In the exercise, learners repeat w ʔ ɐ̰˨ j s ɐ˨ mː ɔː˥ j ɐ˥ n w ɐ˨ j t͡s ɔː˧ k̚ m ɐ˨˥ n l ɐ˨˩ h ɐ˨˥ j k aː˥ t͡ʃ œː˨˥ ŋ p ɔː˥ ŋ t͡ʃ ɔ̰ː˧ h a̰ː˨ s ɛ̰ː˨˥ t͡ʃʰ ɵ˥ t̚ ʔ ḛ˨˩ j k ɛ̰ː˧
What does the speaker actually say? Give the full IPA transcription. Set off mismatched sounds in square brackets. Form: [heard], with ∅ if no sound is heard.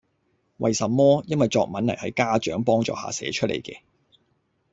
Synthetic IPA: w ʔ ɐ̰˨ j s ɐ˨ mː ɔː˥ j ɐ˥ n w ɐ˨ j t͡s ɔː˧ k̚ m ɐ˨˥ n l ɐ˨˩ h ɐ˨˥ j k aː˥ t͡ʃ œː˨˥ ŋ p ɔː˥ ŋ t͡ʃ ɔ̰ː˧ h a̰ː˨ s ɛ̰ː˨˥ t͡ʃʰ ɵ˥ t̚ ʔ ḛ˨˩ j k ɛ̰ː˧